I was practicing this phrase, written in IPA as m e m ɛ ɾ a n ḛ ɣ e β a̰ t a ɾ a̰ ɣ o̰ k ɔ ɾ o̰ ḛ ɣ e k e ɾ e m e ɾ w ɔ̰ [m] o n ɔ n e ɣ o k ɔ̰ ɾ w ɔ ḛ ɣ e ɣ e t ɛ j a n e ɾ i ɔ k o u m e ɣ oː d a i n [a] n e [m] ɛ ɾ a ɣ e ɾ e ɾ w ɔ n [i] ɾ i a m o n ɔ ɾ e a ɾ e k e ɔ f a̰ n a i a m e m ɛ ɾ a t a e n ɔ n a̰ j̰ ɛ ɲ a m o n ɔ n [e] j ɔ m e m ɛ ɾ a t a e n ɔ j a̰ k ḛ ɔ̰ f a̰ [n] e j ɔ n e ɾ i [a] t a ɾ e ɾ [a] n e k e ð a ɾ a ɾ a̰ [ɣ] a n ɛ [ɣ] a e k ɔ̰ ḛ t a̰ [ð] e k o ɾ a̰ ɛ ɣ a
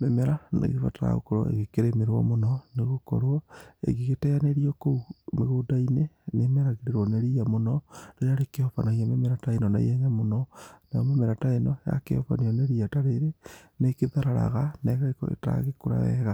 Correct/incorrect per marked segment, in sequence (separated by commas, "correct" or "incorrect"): correct, incorrect, correct, incorrect, incorrect, correct, correct, incorrect, correct, correct, incorrect